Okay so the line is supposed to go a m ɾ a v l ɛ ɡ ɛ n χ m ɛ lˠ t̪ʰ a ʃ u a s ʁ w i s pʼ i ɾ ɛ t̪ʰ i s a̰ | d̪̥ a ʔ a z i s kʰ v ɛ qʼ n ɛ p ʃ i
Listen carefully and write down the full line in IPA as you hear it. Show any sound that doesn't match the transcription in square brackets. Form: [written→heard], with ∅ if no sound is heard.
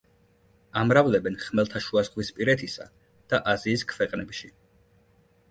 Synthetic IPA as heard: a m ɾ a v l ɛ [ɡ→b] ɛ n χ m ɛ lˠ t̪ʰ a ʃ u a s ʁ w i s pʼ i ɾ ɛ t̪ʰ i s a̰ | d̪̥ a ʔ a z [i→iː] s kʰ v ɛ qʼ n ɛ p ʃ i